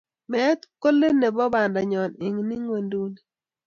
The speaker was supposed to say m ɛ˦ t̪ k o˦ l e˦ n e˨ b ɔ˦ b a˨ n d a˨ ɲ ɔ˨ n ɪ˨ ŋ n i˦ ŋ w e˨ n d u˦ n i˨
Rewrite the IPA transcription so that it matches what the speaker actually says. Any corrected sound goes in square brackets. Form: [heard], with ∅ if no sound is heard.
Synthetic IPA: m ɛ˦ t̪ k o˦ l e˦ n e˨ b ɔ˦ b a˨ n d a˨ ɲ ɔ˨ n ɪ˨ ŋ n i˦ ŋ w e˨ n d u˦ n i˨